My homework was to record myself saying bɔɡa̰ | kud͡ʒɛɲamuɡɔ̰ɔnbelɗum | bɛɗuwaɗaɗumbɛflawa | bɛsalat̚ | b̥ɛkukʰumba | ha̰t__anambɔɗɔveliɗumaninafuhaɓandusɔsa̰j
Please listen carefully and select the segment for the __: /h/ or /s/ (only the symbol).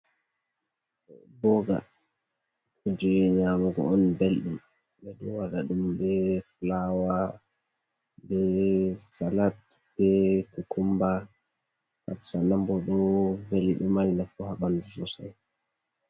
s